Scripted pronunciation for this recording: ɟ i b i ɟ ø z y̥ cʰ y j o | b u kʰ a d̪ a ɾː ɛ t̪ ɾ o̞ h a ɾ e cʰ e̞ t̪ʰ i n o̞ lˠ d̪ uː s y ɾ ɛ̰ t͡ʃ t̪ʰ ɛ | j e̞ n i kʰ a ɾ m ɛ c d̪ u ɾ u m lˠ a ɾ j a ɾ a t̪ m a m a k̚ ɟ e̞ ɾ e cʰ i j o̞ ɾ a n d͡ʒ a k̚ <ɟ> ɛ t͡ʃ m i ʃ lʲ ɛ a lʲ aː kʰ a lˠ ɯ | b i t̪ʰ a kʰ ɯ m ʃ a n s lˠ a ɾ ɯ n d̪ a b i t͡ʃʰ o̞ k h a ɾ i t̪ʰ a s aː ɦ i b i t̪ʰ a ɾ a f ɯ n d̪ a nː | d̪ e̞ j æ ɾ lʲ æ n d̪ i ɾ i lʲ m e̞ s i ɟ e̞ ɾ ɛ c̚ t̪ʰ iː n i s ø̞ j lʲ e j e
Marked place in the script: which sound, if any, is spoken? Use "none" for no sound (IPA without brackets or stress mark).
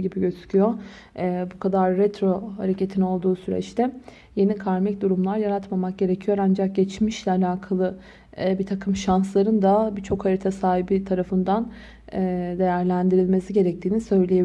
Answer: ɟ